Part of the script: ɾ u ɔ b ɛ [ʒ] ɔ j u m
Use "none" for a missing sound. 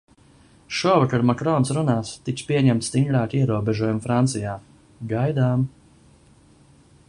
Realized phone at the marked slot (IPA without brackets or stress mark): ʒ